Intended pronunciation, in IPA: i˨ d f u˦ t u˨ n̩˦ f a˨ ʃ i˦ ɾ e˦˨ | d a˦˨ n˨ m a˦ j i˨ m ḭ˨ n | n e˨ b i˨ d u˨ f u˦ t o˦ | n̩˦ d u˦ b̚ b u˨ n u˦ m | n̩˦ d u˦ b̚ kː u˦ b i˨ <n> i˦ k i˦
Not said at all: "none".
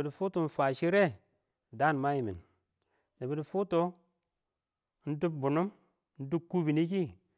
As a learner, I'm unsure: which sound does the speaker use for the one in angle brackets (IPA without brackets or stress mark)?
n